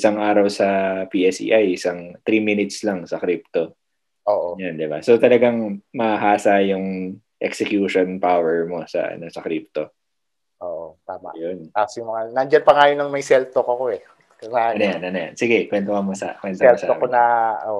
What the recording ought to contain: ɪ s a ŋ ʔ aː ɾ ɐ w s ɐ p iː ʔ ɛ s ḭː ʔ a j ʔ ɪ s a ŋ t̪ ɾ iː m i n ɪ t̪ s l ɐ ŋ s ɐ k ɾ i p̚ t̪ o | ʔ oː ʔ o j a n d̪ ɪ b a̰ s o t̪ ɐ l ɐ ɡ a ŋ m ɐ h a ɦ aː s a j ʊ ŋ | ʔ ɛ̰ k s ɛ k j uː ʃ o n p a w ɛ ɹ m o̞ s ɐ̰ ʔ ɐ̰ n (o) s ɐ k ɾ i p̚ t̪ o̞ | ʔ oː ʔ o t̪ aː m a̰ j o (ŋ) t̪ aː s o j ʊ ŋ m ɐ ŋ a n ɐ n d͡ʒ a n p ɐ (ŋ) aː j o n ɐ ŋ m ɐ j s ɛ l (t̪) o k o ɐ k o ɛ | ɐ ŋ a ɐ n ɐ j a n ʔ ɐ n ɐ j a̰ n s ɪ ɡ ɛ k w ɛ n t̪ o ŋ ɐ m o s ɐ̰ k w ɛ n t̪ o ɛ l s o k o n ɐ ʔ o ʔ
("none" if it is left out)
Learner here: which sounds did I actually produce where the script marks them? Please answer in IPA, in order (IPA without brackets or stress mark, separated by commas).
o, n, ŋ, t̪